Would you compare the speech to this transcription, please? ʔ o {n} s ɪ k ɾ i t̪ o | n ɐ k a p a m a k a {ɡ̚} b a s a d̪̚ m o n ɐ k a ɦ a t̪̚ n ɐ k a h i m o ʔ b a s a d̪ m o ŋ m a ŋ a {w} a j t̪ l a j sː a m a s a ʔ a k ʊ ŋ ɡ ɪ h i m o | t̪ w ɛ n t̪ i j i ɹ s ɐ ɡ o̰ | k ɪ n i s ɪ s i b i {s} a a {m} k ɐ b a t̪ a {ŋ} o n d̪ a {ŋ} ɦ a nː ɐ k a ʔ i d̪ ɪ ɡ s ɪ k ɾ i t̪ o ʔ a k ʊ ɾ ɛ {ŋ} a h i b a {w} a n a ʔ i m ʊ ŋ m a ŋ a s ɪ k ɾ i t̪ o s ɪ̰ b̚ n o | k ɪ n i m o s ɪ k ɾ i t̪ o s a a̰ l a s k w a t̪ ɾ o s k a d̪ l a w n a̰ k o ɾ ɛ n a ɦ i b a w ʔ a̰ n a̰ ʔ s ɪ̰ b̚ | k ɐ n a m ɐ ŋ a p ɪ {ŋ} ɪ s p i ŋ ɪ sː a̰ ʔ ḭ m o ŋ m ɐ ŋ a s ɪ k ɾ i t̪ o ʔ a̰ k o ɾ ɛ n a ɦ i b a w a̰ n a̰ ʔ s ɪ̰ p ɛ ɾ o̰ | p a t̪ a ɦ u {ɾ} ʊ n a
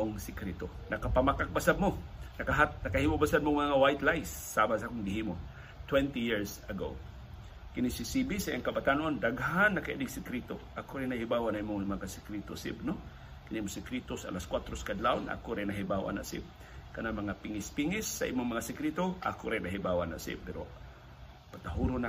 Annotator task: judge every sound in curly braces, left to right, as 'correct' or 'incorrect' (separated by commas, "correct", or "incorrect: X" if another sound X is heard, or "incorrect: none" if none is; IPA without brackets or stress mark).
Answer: incorrect: ŋ, incorrect: k̚, correct, correct, incorrect: ŋ, incorrect: n, incorrect: ɡ, incorrect: n, correct, correct, correct